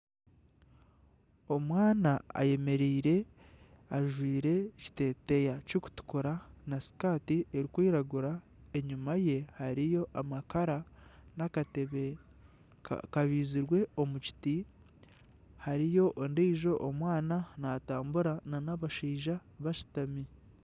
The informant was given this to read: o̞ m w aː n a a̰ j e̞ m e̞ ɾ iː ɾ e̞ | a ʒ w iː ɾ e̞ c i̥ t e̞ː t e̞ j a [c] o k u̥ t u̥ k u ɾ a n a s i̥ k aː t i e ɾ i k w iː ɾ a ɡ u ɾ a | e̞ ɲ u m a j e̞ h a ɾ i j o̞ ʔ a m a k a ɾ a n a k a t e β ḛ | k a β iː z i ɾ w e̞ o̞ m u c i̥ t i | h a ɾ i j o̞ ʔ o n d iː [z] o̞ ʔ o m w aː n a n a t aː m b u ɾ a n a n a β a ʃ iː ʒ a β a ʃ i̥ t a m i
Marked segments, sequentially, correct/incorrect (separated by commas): correct, incorrect